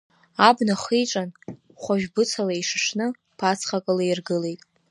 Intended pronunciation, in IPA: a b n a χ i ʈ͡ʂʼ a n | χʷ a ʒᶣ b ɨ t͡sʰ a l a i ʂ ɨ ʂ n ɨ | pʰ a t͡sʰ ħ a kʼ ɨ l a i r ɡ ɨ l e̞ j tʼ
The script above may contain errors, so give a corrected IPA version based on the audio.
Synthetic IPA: a b n a χ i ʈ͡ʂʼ a n | χʷ a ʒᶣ b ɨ t͡sʰ a l a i ʂ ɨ ʂ n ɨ | pʰ a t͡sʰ χ a kʼ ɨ l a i r ɡ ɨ l e̞ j tʼ